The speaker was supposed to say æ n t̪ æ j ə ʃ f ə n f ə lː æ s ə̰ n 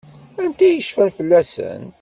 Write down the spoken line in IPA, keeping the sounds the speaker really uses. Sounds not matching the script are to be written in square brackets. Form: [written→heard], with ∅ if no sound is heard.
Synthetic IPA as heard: æ n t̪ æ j ə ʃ f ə n f ə lː æ s ə̰ n